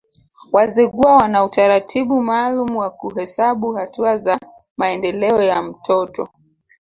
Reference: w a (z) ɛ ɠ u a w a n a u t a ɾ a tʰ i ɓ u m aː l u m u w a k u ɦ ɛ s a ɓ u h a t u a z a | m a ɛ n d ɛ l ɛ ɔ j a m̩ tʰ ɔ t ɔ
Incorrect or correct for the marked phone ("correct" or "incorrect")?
correct